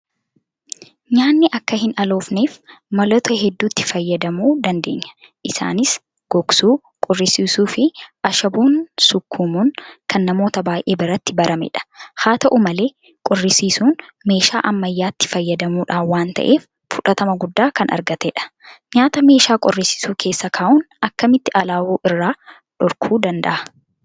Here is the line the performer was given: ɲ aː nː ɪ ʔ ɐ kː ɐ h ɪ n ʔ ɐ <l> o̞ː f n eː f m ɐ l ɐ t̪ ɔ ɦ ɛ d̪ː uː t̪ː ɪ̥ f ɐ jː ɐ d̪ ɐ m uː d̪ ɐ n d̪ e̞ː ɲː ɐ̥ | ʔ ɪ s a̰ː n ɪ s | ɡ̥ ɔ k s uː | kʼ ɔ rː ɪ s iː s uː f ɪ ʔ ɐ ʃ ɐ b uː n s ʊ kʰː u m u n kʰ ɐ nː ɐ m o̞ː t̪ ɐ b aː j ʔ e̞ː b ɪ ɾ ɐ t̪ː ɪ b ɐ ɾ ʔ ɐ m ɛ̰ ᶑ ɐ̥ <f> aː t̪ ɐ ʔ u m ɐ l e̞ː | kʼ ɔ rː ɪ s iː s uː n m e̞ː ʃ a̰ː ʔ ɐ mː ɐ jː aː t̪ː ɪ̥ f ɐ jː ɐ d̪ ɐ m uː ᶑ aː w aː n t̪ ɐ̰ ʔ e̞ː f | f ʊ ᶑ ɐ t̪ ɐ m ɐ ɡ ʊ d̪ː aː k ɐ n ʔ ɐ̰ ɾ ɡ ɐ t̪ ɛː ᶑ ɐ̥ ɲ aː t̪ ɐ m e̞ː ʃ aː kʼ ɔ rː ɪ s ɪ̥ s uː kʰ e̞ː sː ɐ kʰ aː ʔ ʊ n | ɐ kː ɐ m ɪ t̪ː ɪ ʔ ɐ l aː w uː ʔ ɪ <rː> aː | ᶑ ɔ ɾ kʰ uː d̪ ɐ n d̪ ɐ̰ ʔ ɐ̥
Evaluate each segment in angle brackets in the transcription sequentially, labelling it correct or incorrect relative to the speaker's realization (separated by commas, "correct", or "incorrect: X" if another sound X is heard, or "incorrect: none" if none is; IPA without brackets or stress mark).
correct, incorrect: h, correct